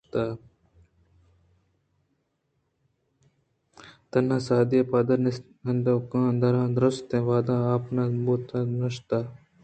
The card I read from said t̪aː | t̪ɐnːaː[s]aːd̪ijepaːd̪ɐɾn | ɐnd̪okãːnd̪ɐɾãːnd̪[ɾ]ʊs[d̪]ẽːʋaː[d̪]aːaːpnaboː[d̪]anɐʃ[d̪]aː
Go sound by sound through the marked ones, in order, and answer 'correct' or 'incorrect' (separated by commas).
correct, correct, incorrect, correct, incorrect, incorrect